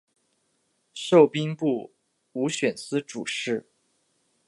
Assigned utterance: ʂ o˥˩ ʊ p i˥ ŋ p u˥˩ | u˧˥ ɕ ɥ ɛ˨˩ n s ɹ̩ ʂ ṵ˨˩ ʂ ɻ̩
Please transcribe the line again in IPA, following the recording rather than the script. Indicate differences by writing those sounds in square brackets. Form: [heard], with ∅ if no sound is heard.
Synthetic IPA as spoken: ʂ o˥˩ ʊ p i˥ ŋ p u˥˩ | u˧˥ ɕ ɥ ɛ˨˩ n s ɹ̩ [ʈ͡ʂ] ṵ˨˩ ʂ ɻ̩